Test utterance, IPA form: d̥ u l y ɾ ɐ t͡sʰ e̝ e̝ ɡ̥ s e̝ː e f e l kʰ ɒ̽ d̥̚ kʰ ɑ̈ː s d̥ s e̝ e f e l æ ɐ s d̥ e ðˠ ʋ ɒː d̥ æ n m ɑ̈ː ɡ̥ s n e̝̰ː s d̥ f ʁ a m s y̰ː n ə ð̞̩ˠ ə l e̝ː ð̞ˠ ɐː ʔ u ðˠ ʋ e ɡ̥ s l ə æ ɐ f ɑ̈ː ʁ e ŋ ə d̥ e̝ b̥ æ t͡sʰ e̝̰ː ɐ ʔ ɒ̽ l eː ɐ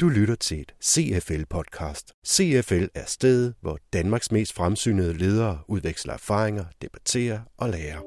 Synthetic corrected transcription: d̥ u l y ɾ ɐ t͡sʰ e̝ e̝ d̥ s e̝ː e f e l pʰ ɒ̽ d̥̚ kʰ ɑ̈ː s d̥ s e̝ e f e l æ ɐ s d̥ e ðˠ ʋ ɒ d̥ æ n m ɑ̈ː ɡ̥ s m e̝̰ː s d̥ f ʁ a m s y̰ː n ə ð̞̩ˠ ə l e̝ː ð̞ˠ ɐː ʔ u ðˠ ʋ e ɡ̥ s l ɐ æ ɐ f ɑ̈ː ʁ e ŋ ɐ d̥ e̝ b̥ æ t͡sʰ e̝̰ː ɐ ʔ ɒ̽ l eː ɐ